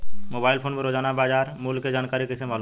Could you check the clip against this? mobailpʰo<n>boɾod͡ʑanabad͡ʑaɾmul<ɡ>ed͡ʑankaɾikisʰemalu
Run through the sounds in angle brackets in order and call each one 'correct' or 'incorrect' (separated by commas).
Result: correct, incorrect